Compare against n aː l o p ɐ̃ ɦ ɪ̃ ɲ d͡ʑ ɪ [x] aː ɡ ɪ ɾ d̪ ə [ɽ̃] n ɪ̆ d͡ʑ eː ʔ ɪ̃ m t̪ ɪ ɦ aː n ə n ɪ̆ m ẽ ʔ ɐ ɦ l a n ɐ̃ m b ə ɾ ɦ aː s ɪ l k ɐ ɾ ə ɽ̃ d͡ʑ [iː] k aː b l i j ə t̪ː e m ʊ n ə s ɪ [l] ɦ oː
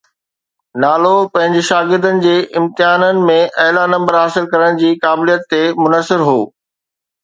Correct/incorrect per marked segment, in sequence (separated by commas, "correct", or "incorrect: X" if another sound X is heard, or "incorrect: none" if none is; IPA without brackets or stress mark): incorrect: ʃ, incorrect: none, correct, incorrect: ɾ